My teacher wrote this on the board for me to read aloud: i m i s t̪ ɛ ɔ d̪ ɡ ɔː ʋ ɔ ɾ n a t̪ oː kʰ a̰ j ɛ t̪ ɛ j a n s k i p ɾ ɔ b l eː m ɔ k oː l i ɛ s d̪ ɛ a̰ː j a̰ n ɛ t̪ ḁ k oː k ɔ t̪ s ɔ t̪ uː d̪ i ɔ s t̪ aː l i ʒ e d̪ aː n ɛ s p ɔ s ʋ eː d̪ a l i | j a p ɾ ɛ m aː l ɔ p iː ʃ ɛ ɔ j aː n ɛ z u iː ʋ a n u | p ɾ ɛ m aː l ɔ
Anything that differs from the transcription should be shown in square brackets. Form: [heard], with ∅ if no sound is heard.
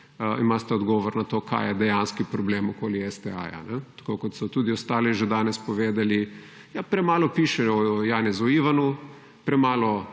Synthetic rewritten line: i m [a] s t̪ ɛ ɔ d̪ ɡ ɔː ʋ ɔ ɾ n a t̪ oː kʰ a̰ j ɛ [d̪] ɛ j a n s k i p ɾ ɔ b l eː m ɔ k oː l i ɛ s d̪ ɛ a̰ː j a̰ n ɛ t̪ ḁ k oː k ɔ t̪ s ɔ t̪ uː d̪ i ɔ s t̪ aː l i ʒ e d̪ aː n ɛ s p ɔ [∅] ʋ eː d̪ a l i | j a p ɾ ɛ m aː l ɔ p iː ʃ ɛ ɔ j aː n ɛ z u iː ʋ a n u | p ɾ ɛ m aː l ɔ

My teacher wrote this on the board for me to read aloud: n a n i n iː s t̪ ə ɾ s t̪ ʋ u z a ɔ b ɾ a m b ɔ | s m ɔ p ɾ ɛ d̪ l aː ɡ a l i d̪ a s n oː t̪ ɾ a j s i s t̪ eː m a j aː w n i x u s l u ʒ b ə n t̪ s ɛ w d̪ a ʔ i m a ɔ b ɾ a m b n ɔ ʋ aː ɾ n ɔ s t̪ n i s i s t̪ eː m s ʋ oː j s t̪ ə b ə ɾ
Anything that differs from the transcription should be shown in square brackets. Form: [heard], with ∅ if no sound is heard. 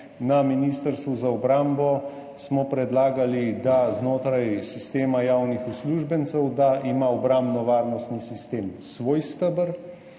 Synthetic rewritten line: n a [m] i n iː s t̪ ə ɾ s t̪ ʋ u z a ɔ b ɾ a m b ɔ | s m ɔ p ɾ ɛ d̪ l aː ɡ a l i d̪ a [z] n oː t̪ ɾ a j s i s t̪ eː m a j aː w n i x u s l u ʒ b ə n t̪ s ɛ w d̪ a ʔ i m a ɔ b ɾ a m b n ɔ ʋ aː ɾ n ɔ s t̪ n i s i s t̪ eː m s ʋ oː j s t̪ ə b ə ɾ

